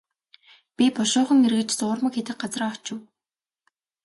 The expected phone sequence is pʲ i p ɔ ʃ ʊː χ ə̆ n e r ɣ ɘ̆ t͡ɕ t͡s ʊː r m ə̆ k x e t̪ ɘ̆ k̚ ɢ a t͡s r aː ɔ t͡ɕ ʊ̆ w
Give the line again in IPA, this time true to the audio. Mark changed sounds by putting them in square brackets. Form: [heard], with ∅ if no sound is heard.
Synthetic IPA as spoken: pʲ i p ɔ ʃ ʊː χ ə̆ [ŋ] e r ɣ ɘ̆ t͡ɕ t͡s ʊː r m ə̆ k x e t̪ ɘ̆ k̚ ɢ a t͡s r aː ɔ t͡ɕ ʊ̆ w